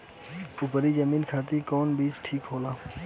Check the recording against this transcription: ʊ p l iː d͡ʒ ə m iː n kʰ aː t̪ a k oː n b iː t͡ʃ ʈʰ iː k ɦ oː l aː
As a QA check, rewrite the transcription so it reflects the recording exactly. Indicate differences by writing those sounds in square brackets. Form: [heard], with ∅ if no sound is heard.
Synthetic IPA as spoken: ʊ p [ɾ] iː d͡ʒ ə m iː n kʰ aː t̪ [i] k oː n b iː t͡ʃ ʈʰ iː k ɦ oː l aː